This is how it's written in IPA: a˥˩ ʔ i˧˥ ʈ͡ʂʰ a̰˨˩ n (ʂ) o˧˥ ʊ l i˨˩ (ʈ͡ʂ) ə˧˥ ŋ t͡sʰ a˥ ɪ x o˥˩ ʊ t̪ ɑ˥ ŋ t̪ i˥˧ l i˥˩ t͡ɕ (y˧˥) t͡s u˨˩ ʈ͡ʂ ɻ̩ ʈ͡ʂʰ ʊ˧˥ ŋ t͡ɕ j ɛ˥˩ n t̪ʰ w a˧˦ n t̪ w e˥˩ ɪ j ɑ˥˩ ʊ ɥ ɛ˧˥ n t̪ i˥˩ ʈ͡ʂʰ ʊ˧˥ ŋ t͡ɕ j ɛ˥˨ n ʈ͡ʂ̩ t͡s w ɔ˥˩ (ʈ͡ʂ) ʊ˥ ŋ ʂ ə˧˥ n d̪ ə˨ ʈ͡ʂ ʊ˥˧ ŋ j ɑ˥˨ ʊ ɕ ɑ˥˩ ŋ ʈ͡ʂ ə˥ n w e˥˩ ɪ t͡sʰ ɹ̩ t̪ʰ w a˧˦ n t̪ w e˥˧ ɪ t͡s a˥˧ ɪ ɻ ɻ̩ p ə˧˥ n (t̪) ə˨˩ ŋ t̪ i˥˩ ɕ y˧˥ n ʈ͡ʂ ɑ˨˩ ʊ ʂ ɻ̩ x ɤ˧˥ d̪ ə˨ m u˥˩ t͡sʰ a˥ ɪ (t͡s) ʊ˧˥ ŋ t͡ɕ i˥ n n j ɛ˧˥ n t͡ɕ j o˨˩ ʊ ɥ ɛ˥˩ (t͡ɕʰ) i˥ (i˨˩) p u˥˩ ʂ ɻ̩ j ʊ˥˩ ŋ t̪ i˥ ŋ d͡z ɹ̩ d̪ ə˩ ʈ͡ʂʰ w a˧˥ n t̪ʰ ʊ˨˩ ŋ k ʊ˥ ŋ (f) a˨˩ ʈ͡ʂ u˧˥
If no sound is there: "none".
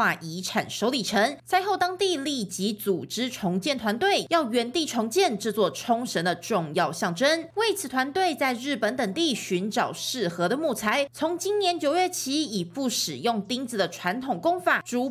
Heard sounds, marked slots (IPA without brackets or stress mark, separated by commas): ʂ, ʈ͡ʂʰ, i˧˥, ʈ͡ʂʰ, t̪, t͡sʰ, t͡ɕʰ, i˨˩, f